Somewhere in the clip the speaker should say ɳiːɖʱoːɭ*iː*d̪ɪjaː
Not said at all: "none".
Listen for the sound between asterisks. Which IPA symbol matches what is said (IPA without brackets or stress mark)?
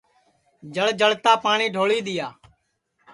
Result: iː